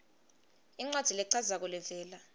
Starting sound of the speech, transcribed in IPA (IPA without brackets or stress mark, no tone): i